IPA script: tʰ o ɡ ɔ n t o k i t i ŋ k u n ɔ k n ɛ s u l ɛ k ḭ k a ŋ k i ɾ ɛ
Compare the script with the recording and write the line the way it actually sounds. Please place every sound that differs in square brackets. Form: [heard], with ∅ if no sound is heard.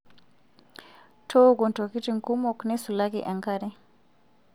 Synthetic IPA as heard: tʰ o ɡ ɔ n t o k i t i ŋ k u [m] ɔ k n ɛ s u l [a] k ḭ [ʔ] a ŋ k [a] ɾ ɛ